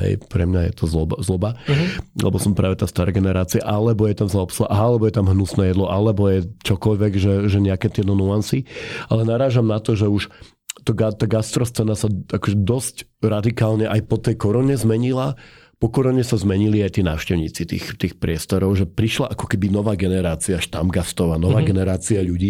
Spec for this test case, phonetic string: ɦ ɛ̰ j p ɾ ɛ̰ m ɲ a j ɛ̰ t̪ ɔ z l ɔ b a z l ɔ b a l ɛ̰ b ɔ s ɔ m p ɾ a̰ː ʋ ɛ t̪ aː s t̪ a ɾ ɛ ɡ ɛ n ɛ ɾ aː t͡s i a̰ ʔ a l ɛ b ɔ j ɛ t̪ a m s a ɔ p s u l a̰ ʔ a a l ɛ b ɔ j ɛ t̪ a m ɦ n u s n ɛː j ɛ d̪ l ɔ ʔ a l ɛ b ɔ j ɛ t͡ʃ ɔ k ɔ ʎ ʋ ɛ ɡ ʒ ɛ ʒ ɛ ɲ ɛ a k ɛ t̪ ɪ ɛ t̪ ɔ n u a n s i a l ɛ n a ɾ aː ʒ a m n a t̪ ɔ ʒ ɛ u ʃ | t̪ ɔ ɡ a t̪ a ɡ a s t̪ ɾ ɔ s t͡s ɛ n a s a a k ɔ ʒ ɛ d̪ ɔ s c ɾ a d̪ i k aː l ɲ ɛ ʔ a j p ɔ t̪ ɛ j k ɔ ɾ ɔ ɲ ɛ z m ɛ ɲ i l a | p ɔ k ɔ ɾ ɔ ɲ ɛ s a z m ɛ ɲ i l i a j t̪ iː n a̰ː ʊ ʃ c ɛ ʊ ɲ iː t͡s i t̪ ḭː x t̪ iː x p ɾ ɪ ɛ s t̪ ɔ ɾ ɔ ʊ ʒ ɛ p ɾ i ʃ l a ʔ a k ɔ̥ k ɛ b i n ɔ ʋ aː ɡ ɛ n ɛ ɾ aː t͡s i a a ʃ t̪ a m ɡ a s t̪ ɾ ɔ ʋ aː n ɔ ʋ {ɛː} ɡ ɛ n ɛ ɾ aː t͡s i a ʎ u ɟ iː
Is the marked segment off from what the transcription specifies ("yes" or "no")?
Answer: yes